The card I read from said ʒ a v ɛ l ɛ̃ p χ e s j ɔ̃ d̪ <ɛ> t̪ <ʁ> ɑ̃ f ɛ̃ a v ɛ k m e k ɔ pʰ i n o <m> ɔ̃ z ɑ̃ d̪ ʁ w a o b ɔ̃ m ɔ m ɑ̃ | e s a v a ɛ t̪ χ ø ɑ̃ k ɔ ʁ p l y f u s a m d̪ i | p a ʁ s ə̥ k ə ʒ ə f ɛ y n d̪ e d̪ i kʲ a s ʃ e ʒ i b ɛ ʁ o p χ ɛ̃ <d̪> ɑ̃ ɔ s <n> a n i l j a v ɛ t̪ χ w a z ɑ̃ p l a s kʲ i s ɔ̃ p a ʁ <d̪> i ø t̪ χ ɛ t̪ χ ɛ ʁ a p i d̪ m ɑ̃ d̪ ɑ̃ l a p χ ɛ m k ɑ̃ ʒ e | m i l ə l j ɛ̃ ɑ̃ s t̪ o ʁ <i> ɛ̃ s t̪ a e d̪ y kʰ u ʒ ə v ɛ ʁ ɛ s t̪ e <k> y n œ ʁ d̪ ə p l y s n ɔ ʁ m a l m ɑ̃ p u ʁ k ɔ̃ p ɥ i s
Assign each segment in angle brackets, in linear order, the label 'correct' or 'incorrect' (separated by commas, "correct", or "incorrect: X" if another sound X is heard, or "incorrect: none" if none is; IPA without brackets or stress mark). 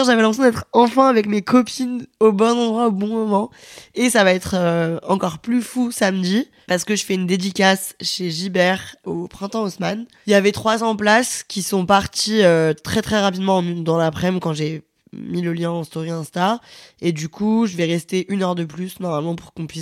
correct, incorrect: χ, incorrect: b, incorrect: t̪, incorrect: m, incorrect: t̪, correct, incorrect: ʔ